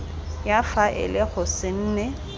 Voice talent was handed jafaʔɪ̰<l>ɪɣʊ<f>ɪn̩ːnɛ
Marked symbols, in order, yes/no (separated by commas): yes, no